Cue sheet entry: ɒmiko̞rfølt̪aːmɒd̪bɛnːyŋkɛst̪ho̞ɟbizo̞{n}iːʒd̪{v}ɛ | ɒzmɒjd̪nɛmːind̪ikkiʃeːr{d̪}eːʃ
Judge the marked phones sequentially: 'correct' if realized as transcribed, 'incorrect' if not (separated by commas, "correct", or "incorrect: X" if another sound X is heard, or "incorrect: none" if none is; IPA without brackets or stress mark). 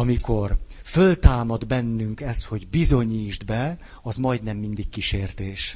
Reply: incorrect: ɲ, incorrect: b, incorrect: t̪